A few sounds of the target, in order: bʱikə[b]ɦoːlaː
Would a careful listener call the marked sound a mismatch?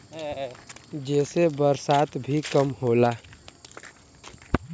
yes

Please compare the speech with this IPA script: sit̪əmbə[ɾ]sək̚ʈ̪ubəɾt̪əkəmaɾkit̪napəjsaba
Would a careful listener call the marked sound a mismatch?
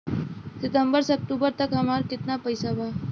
no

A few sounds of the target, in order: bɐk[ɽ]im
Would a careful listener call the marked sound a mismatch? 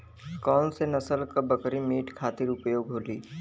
yes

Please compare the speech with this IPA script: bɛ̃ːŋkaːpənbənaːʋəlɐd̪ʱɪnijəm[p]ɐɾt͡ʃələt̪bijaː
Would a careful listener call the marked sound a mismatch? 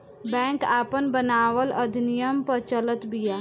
no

